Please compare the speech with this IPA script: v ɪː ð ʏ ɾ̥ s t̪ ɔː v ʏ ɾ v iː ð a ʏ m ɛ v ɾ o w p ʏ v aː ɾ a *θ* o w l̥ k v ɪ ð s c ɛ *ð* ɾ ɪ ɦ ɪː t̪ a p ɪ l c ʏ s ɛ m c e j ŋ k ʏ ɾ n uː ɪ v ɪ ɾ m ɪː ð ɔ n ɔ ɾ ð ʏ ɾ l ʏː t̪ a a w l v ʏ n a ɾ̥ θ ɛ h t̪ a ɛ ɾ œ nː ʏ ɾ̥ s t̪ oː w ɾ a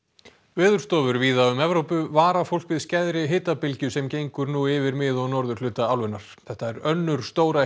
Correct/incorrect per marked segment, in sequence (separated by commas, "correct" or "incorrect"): incorrect, correct